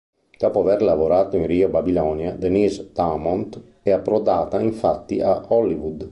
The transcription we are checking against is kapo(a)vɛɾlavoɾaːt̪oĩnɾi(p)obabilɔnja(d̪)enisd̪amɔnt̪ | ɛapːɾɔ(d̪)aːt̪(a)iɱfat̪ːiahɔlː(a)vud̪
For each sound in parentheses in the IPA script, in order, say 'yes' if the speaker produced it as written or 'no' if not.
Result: yes, no, yes, yes, yes, no

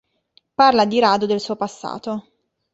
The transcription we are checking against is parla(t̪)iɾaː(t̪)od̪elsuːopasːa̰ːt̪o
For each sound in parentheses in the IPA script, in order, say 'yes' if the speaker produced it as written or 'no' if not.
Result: no, no

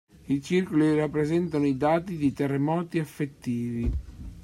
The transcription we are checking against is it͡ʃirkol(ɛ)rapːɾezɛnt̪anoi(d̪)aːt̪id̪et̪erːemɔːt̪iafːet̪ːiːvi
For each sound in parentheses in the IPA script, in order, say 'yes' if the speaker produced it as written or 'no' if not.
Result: no, yes

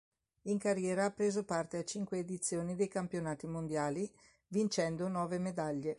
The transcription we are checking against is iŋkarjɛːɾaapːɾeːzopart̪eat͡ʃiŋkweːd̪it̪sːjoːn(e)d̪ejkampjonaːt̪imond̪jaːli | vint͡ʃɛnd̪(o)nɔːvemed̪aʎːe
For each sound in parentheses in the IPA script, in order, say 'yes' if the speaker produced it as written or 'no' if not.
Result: no, yes

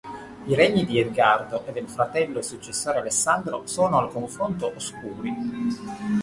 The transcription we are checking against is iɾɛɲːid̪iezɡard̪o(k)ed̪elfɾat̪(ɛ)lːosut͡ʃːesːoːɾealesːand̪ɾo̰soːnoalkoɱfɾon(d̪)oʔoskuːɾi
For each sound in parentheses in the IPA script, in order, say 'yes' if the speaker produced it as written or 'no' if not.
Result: no, yes, no

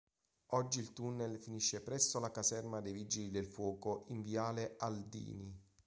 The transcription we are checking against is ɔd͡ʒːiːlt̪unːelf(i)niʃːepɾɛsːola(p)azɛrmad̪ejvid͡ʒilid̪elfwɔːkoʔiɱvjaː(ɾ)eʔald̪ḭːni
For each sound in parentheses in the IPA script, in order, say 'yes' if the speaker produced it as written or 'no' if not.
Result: yes, no, no

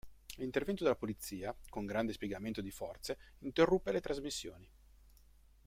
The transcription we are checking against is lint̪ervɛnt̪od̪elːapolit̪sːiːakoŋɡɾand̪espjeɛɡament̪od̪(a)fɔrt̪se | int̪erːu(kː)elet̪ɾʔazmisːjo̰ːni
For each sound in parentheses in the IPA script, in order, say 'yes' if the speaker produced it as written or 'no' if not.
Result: no, no

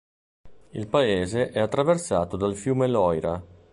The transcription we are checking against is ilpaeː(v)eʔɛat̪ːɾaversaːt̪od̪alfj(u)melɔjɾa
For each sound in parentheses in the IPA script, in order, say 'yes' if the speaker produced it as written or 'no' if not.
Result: no, no

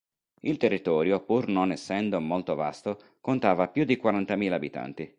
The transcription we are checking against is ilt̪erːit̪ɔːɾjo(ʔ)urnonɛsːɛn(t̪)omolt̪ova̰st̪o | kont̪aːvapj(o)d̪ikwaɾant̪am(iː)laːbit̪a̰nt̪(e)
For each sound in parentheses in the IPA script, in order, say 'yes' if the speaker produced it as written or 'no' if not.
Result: no, no, no, yes, no

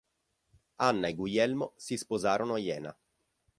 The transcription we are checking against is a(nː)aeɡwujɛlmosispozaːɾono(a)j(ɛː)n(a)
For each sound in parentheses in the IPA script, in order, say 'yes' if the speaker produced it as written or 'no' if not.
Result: yes, yes, yes, yes

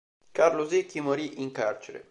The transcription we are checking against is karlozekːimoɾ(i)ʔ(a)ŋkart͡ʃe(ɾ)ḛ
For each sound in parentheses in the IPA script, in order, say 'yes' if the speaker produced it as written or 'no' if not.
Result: yes, no, yes

